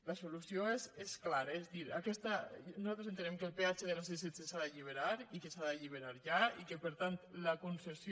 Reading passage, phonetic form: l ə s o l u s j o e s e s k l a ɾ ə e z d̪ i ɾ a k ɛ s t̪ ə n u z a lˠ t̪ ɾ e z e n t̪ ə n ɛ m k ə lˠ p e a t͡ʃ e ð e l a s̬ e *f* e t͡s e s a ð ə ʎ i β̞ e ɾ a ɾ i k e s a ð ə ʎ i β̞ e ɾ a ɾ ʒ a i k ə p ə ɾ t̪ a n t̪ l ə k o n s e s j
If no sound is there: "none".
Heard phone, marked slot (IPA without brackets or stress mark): s